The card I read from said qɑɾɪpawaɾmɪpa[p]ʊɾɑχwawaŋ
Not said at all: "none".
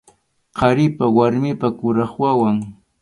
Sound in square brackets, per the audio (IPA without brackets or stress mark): k